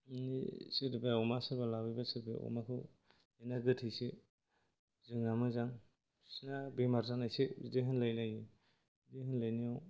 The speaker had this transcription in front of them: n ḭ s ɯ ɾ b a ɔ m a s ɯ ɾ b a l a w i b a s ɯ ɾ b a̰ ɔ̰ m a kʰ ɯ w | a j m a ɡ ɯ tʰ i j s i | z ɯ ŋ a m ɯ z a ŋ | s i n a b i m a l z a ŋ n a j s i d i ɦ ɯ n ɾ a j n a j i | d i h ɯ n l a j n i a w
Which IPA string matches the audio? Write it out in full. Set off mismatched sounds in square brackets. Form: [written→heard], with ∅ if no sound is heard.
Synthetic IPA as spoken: n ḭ s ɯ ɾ b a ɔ m a s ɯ ɾ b a l a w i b a s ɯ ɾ b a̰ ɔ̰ m a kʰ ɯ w | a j [m→n] a ɡ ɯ tʰ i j s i | z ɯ ŋ a m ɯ z a ŋ | s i n a b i m a [l→ɾ] z a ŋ n a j s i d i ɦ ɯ n [ɾ→l] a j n a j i | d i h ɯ n l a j n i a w